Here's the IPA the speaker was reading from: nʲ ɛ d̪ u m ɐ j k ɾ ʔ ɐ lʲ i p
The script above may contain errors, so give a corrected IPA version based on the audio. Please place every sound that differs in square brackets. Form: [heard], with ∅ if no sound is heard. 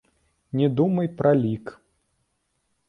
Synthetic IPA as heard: nʲ ɛ d̪ u m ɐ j [p] ɾ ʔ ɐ lʲ i [k]